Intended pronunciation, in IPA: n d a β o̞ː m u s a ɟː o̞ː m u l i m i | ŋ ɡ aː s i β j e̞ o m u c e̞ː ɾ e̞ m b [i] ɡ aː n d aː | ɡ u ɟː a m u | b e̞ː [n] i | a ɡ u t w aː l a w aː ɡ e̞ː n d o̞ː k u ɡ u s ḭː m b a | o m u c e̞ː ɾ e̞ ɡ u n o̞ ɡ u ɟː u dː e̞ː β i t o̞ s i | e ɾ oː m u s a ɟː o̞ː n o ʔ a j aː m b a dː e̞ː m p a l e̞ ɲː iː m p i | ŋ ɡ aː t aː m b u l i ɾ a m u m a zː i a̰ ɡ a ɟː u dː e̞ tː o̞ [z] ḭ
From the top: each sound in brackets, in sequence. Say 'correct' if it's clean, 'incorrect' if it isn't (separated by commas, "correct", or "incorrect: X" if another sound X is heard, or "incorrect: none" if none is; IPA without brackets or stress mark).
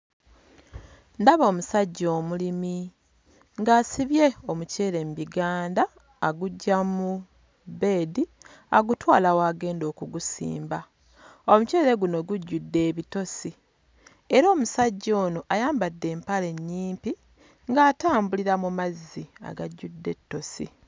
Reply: correct, incorrect: d, incorrect: s